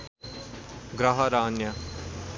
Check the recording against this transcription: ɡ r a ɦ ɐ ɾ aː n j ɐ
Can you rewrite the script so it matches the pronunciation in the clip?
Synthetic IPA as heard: ɡ ɾ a ɦ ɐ ɾ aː n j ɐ